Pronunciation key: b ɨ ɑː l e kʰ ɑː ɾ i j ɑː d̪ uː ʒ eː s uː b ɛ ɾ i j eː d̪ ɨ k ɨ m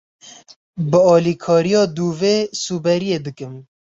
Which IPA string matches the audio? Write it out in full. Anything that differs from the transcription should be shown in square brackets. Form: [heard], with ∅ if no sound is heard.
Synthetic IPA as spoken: b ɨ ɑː l [i] kʰ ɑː ɾ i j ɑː d̪ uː [v] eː s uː b ɛ ɾ i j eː d̪ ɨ k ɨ m